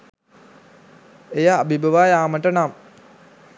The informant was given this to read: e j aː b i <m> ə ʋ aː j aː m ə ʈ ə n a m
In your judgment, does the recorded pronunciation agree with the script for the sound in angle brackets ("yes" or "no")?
no